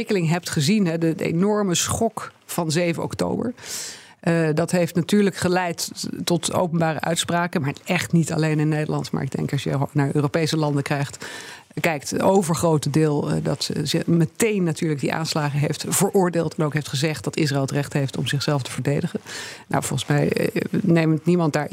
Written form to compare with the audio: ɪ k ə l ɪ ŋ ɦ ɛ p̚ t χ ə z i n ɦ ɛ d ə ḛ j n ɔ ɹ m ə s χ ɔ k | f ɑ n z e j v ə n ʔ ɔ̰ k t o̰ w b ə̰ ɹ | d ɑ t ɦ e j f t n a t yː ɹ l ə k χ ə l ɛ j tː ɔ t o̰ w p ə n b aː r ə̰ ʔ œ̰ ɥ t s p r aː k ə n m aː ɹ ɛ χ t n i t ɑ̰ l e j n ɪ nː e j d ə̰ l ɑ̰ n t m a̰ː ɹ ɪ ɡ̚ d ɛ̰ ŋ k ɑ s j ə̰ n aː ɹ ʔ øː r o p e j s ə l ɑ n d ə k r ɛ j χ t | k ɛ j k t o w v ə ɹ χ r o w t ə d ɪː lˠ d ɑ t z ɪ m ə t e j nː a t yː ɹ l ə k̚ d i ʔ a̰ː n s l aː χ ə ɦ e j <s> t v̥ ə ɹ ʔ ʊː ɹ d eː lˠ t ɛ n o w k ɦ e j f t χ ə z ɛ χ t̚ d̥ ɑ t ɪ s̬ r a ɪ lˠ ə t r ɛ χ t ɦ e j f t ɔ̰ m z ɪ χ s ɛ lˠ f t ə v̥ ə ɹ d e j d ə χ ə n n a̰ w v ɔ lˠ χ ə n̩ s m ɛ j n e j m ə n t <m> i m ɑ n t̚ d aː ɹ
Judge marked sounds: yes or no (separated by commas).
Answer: no, no